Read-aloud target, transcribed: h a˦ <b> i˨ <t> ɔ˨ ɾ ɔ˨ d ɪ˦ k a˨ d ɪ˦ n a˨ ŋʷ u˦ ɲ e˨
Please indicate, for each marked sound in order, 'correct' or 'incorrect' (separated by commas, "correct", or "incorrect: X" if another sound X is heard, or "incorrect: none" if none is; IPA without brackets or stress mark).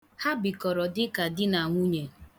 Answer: correct, incorrect: k